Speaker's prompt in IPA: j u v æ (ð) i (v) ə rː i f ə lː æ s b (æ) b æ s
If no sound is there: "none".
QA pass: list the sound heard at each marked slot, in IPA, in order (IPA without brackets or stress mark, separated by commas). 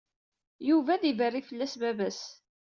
ð, v, æ